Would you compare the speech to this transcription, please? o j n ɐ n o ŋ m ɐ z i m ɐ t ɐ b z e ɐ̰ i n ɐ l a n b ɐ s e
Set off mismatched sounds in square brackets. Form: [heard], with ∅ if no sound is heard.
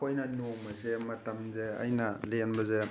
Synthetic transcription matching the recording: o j n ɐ n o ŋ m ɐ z [e] m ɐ t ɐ [m] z e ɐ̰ [j] n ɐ l [e] n b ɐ [z] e